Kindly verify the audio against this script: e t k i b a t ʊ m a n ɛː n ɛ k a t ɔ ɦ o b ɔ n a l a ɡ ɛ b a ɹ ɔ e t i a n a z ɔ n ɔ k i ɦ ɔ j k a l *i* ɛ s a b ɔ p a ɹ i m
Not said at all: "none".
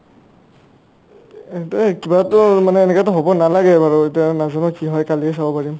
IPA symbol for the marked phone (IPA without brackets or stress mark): i